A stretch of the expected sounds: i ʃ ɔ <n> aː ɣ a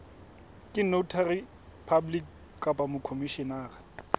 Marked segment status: correct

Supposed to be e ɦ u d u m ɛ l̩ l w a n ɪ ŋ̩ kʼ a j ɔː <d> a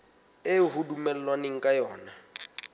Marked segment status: incorrect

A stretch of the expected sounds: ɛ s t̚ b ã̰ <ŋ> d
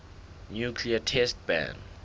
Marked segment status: incorrect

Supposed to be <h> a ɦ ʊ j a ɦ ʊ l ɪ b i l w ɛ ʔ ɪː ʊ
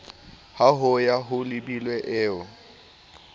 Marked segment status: correct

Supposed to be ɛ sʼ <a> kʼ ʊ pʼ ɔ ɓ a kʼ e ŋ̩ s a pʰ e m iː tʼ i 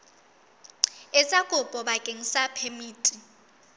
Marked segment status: correct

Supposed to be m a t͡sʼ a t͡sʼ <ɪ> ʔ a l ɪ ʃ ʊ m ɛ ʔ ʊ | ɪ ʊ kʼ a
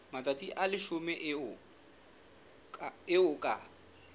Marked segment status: incorrect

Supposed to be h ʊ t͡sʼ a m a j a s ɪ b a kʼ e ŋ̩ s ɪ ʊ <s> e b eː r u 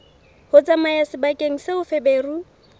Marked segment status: incorrect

